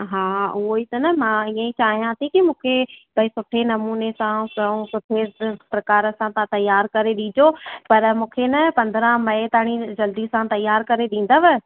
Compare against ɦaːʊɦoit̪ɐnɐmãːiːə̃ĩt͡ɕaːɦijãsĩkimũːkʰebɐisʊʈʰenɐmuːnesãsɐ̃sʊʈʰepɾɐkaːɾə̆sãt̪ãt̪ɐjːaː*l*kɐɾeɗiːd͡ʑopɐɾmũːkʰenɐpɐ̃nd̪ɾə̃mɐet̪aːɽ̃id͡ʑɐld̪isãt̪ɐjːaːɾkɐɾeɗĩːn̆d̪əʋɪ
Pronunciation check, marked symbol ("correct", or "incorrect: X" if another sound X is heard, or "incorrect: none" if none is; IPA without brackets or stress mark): incorrect: ɾ